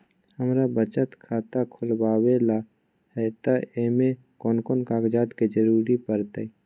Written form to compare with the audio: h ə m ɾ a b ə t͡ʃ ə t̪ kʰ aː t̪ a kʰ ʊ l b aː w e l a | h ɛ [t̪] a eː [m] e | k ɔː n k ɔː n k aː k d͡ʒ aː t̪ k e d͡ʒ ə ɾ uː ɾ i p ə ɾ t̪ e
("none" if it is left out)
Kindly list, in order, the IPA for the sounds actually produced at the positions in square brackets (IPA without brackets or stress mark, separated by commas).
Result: t̪, m